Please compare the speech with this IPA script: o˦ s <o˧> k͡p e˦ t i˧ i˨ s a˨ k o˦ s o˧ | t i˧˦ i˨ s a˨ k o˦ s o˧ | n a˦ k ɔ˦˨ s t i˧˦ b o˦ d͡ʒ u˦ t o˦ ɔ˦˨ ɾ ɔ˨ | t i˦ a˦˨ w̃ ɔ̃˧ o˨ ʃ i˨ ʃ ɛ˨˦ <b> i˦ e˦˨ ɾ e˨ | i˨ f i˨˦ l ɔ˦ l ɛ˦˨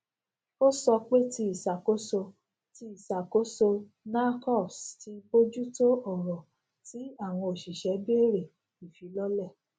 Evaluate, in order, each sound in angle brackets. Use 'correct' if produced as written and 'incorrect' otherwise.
incorrect: ɔ˧, correct

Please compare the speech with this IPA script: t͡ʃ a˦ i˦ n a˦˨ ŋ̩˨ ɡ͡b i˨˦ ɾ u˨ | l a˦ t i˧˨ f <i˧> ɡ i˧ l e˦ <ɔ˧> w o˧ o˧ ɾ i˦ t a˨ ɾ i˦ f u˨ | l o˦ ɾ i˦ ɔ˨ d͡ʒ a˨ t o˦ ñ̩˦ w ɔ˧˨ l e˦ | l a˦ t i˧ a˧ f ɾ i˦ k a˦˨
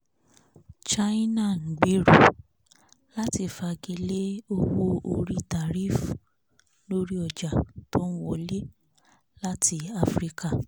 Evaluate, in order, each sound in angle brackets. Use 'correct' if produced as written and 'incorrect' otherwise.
incorrect: a˧, incorrect: o˧

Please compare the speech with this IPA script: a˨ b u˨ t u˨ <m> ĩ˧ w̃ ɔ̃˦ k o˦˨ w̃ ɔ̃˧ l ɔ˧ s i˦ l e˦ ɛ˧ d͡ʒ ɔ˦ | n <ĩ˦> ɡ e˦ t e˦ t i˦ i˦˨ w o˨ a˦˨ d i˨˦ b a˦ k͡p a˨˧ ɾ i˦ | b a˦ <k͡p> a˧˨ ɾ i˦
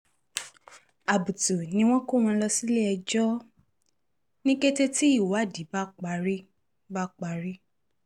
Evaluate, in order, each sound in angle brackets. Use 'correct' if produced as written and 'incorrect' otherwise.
incorrect: n, correct, correct

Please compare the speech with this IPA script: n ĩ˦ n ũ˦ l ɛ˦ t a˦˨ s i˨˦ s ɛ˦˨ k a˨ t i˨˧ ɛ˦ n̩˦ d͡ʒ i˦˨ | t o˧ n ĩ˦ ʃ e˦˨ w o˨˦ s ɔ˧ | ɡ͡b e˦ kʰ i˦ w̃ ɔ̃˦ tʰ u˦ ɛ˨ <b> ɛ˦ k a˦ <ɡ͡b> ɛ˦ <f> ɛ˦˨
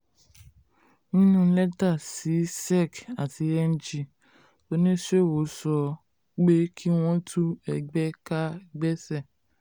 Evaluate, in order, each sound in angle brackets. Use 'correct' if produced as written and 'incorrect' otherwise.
incorrect: ɡ͡b, correct, incorrect: s

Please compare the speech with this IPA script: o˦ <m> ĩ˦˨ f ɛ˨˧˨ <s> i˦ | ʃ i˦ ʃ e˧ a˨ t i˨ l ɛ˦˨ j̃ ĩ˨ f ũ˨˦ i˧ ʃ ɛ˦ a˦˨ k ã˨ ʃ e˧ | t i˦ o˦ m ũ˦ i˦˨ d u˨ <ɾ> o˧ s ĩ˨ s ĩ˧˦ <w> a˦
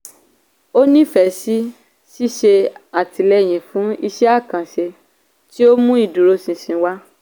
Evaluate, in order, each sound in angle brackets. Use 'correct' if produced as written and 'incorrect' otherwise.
incorrect: n, correct, correct, correct

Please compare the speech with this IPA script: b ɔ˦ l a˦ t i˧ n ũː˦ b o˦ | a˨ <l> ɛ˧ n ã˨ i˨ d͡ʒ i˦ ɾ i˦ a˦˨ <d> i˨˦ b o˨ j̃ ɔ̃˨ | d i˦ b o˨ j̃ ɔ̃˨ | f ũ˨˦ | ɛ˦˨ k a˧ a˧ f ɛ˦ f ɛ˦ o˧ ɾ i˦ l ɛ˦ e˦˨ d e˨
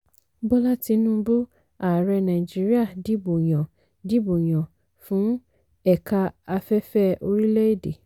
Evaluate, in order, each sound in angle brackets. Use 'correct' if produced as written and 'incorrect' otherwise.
incorrect: ɾ, correct

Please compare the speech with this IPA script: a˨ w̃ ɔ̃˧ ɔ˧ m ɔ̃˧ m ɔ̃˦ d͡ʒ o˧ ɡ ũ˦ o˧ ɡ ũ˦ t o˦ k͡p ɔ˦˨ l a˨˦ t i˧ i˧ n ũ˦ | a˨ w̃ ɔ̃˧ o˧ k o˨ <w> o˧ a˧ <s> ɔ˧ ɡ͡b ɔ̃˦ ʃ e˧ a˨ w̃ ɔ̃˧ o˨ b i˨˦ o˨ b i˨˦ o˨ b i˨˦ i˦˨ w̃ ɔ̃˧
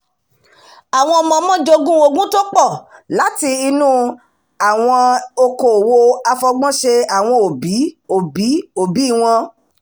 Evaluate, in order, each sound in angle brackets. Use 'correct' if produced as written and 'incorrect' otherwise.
correct, incorrect: f

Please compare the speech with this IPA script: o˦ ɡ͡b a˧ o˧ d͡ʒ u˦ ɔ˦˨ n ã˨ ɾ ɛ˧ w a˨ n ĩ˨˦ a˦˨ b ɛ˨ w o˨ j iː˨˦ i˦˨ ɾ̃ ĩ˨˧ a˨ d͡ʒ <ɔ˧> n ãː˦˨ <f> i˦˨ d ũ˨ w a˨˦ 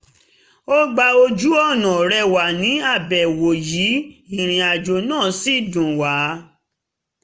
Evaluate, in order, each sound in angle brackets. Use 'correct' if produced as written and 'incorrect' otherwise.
incorrect: o˧, incorrect: s

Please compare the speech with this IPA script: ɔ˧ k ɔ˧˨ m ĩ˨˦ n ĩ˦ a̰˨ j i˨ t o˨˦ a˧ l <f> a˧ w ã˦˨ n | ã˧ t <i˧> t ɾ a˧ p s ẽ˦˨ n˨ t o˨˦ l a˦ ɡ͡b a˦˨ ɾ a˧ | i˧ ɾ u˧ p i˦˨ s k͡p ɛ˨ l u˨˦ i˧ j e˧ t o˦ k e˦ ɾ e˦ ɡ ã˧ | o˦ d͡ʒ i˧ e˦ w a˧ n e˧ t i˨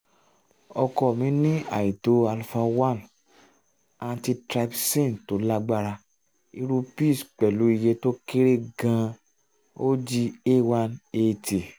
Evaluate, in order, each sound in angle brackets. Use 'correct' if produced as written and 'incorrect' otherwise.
correct, correct

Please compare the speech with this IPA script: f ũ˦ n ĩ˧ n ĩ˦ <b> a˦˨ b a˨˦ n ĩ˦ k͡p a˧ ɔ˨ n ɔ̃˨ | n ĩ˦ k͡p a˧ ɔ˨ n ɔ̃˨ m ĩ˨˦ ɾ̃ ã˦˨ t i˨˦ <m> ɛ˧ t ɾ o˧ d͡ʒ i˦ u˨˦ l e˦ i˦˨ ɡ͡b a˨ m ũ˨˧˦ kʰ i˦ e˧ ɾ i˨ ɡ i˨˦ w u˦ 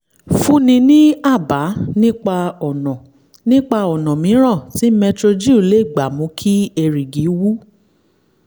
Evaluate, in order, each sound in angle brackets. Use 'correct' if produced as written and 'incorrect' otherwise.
incorrect: none, correct

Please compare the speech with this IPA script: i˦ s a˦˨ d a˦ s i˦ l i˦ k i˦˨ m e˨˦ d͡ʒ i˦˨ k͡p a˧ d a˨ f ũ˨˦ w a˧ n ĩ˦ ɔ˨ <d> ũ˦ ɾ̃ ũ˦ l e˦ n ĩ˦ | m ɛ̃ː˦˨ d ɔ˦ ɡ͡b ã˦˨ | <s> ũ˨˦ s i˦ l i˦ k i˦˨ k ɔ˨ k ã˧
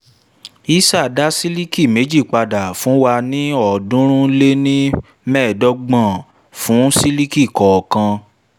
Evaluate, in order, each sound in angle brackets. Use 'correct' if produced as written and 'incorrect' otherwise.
correct, incorrect: f

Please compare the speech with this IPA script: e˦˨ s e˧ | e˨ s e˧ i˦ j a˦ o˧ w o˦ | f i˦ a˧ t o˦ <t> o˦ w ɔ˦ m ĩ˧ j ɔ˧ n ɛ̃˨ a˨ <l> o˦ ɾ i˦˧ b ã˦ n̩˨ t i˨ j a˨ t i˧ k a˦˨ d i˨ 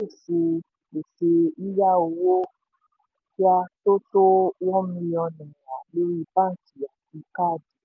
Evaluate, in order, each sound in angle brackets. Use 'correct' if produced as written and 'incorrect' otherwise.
correct, correct

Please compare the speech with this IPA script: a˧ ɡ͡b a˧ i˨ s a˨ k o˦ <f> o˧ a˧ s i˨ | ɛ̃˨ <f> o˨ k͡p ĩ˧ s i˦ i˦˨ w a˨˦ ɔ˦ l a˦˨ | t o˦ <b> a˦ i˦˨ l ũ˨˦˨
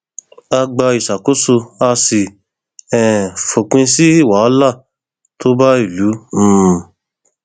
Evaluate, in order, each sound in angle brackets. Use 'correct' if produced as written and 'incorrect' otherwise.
incorrect: s, correct, correct

